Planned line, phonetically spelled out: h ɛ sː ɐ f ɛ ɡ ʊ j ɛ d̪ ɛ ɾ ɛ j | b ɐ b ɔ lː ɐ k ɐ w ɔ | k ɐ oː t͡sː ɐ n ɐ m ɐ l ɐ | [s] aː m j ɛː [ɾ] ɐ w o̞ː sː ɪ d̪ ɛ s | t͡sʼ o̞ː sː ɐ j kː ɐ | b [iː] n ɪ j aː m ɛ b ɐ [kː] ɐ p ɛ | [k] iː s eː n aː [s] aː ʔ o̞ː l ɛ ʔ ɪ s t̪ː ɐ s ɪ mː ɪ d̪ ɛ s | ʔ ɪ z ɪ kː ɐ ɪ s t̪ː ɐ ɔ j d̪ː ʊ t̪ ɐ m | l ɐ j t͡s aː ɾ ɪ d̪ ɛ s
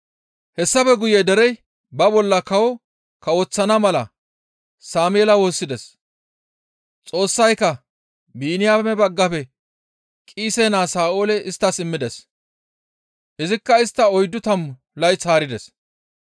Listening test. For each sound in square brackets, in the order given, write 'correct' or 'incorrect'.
correct, incorrect, correct, incorrect, incorrect, correct

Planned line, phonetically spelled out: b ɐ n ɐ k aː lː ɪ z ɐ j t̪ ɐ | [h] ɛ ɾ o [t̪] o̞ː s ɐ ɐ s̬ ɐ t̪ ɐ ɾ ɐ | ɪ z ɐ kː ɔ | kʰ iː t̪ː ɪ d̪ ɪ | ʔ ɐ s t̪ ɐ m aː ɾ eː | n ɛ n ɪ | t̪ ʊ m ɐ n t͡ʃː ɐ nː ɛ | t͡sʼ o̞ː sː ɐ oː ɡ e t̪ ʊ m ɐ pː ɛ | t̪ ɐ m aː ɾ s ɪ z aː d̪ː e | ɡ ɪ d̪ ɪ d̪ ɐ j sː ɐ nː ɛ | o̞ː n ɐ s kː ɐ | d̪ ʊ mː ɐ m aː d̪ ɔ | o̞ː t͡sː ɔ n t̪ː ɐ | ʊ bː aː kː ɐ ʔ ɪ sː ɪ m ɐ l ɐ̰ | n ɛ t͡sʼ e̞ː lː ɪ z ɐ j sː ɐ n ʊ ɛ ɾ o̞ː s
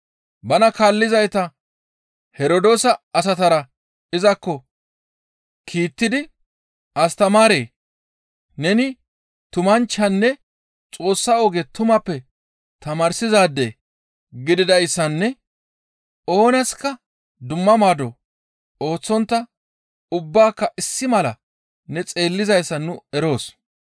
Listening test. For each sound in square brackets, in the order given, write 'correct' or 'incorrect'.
correct, incorrect

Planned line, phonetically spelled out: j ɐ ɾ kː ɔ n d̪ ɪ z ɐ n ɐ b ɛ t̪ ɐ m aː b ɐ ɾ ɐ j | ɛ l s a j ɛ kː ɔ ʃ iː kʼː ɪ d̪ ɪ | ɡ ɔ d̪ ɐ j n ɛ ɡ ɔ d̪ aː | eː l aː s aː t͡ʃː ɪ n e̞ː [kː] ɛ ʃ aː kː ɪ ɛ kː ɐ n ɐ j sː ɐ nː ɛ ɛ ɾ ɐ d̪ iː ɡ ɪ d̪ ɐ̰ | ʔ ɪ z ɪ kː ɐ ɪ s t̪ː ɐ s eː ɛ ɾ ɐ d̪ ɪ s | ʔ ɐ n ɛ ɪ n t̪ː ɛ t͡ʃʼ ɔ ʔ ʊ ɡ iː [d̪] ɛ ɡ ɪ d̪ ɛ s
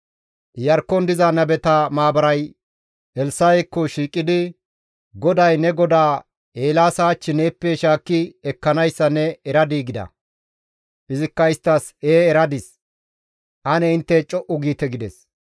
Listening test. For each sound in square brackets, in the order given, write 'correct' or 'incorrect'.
incorrect, incorrect

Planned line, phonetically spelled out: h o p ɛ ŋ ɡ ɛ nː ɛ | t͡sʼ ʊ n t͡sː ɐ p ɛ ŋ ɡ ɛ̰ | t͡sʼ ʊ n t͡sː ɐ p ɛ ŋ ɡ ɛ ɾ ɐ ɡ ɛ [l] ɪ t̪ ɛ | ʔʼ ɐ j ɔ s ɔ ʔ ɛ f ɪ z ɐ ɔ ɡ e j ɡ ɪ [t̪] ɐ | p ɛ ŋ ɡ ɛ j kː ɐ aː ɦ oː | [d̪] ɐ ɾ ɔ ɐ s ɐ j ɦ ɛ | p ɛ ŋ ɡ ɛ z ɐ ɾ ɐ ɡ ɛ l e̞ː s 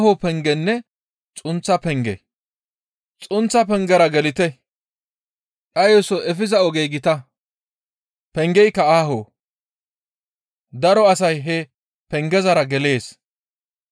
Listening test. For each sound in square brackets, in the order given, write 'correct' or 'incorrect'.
correct, correct, correct

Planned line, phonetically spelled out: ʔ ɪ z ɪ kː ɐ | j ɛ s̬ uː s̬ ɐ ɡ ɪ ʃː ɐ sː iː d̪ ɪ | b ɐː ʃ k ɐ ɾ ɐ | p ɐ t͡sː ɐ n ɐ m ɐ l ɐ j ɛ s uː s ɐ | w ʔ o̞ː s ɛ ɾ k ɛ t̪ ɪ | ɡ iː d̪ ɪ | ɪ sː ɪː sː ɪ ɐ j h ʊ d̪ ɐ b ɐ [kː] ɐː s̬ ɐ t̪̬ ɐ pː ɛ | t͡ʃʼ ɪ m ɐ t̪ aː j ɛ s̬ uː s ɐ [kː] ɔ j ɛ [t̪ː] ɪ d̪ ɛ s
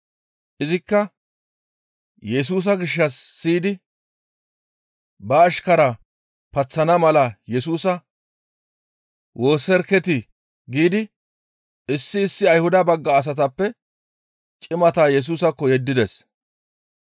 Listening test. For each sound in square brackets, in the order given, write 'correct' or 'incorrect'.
incorrect, correct, incorrect

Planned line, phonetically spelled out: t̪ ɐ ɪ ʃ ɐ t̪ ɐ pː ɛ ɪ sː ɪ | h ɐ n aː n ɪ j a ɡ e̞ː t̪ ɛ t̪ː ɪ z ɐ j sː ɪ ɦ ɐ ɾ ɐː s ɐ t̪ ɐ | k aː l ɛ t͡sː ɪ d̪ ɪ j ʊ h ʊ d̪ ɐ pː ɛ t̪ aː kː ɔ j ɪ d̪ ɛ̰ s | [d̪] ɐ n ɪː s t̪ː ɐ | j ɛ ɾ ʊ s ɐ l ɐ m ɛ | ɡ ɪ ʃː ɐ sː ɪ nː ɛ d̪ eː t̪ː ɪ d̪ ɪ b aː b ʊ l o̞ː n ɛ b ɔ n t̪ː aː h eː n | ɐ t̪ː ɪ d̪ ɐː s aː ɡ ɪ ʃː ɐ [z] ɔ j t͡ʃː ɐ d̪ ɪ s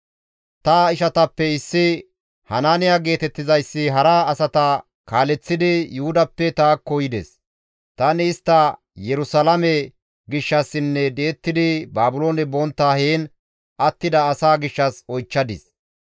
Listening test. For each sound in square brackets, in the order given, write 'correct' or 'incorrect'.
incorrect, incorrect

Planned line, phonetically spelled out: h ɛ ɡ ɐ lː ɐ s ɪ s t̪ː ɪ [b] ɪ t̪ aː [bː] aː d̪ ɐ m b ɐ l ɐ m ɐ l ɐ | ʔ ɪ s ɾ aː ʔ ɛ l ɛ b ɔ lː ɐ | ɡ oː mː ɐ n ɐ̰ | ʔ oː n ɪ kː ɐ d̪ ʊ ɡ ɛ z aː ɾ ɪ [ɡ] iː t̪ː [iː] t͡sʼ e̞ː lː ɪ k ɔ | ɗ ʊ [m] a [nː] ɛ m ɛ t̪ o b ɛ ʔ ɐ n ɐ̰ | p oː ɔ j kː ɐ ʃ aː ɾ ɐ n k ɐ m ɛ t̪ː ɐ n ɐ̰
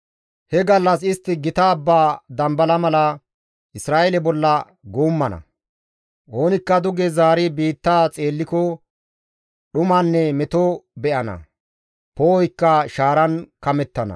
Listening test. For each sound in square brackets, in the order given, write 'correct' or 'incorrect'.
incorrect, correct, incorrect, incorrect, correct, correct

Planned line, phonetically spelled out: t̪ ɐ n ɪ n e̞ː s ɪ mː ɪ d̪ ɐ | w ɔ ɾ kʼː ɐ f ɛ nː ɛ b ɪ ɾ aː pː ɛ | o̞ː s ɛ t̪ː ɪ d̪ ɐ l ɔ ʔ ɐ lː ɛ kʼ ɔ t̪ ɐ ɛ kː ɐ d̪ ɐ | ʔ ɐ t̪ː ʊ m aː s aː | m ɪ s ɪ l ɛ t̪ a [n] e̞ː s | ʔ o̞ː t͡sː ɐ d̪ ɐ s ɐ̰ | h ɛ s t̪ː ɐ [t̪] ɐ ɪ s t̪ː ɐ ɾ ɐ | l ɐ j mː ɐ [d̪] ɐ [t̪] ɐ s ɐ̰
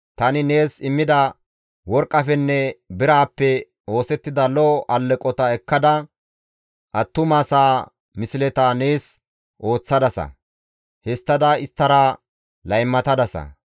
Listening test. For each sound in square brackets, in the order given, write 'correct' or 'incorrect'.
correct, incorrect, incorrect, incorrect

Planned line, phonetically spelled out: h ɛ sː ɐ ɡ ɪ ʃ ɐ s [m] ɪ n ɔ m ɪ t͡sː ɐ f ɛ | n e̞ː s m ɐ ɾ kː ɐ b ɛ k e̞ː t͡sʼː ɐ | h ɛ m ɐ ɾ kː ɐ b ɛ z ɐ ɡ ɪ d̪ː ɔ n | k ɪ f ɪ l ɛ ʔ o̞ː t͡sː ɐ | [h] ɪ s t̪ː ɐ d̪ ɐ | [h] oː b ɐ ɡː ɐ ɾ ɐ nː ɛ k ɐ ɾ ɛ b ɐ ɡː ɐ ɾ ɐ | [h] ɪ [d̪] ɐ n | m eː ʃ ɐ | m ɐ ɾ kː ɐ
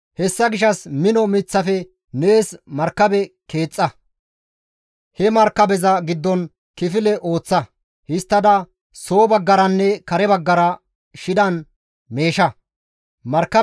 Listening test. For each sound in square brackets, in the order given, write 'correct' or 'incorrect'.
correct, correct, incorrect, incorrect, correct

